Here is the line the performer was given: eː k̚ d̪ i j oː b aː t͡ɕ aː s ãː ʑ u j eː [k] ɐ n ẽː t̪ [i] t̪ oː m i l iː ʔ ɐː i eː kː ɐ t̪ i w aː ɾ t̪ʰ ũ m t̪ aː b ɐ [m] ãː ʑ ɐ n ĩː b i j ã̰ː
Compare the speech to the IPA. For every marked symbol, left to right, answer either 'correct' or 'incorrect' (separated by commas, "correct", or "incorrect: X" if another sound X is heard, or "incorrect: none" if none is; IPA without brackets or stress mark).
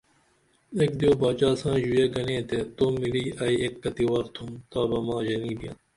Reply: incorrect: ɡ, incorrect: e, correct